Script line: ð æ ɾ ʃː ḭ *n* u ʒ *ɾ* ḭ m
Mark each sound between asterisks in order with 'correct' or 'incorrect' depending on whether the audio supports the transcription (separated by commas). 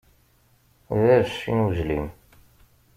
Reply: correct, incorrect